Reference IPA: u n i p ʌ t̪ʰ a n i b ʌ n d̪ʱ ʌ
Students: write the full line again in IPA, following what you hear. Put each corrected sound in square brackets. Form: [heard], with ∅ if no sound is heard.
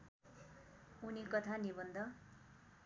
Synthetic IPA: u n i [k] ʌ t̪ʰ a n i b ʌ n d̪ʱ ʌ